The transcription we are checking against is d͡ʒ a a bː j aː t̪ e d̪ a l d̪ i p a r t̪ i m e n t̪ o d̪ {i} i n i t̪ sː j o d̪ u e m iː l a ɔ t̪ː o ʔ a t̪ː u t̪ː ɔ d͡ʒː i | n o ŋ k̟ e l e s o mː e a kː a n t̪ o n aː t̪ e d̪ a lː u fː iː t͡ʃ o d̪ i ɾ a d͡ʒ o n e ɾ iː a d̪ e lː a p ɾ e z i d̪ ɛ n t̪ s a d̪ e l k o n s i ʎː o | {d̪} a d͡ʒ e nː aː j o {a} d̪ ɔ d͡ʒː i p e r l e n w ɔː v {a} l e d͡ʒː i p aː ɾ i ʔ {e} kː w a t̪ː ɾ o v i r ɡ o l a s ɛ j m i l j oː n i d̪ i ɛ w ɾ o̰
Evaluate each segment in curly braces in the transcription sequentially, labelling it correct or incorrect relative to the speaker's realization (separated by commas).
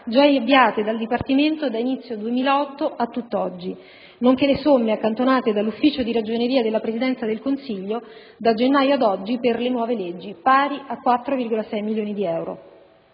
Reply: incorrect, correct, correct, incorrect, incorrect